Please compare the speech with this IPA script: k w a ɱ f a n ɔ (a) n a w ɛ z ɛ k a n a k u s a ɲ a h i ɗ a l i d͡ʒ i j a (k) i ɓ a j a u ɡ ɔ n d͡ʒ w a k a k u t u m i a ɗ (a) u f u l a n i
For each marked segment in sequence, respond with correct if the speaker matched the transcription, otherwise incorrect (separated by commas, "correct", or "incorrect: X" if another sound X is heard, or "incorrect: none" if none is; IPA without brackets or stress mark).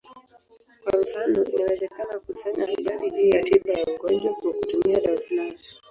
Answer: incorrect: i, incorrect: t, correct